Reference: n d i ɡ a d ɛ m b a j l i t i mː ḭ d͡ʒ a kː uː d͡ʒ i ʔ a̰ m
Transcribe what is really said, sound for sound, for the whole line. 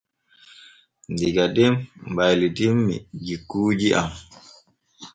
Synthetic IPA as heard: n d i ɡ a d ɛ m b a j l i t i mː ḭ d͡ʒ i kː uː d͡ʒ i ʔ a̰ m